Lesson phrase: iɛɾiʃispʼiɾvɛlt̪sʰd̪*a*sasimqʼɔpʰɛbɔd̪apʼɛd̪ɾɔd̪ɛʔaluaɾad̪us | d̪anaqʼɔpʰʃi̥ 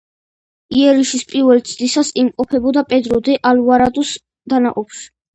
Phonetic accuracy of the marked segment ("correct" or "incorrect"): incorrect